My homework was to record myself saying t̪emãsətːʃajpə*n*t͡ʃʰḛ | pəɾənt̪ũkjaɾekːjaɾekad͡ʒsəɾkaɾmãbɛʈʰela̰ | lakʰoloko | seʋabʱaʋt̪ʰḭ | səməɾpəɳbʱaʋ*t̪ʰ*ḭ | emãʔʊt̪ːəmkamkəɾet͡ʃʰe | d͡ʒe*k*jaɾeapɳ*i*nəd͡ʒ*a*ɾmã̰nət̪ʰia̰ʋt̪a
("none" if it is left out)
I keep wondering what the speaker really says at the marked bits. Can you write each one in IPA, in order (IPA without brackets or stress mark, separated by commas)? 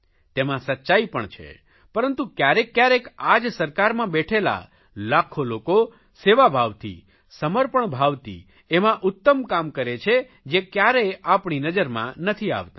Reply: ɳ, t̪, k, i, ə